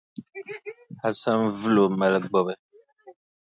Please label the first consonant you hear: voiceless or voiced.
voiceless